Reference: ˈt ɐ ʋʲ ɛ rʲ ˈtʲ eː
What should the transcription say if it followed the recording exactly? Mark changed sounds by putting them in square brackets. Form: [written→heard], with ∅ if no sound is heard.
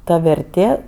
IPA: ˈt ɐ ʋʲ ɛ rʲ ˈtʲ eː